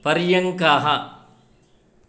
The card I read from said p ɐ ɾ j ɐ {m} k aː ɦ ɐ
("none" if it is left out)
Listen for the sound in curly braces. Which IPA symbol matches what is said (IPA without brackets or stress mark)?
ŋ